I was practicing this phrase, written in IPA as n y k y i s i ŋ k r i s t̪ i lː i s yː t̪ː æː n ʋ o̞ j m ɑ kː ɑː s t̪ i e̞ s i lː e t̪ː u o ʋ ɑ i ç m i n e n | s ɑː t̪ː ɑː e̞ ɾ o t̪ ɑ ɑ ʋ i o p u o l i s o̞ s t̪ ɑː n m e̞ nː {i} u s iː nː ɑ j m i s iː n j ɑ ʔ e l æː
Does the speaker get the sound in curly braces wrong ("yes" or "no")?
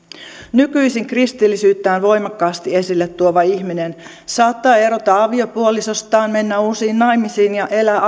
yes